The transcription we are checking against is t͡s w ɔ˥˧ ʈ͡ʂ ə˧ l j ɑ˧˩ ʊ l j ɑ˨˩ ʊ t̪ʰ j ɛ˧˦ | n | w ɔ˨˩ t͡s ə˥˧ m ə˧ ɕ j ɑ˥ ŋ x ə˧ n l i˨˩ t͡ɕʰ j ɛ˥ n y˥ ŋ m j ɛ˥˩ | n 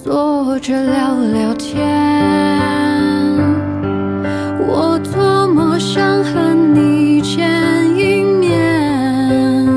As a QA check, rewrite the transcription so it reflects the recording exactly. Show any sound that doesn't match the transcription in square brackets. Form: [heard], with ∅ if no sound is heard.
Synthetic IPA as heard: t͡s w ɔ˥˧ ʈ͡ʂ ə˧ l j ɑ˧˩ ʊ l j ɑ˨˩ ʊ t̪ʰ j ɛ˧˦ | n | w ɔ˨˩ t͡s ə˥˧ m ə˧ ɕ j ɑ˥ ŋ x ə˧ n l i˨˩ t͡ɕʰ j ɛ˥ n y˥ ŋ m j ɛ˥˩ | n